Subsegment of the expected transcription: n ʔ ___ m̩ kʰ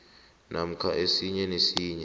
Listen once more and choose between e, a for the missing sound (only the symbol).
a